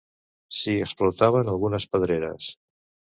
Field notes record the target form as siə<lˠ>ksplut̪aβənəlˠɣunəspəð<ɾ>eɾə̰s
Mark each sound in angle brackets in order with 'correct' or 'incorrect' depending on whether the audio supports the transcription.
incorrect: none, correct

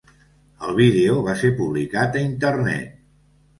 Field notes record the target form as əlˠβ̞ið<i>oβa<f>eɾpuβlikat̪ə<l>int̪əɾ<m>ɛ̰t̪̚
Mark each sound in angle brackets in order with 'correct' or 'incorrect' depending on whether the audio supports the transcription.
incorrect: e, incorrect: s, incorrect: none, incorrect: n

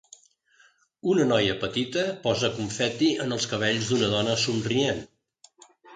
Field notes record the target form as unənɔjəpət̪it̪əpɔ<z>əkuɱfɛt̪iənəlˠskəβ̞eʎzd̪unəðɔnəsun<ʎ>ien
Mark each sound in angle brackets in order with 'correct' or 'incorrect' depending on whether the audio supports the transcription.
correct, incorrect: r

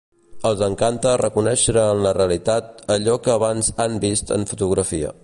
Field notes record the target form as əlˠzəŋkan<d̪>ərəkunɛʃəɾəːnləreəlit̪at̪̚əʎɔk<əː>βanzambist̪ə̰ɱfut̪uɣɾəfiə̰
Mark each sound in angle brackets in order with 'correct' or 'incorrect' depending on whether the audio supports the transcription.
incorrect: t̪, correct

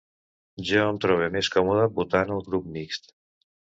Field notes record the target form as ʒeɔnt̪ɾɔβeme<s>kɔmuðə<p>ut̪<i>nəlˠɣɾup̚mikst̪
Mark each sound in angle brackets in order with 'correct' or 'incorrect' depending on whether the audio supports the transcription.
correct, incorrect: b, incorrect: a

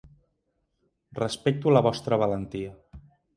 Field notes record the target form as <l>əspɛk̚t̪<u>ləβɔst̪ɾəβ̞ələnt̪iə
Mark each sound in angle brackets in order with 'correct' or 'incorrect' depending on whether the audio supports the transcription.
incorrect: r, correct

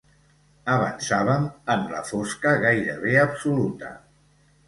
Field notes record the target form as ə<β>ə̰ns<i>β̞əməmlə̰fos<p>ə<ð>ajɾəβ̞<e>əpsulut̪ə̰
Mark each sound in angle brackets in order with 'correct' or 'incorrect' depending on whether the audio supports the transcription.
correct, incorrect: a, incorrect: k, incorrect: ɣ, correct

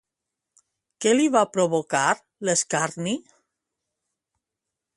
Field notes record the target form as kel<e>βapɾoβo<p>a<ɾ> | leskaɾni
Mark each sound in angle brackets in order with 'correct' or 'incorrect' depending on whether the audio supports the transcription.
incorrect: i, incorrect: k, correct

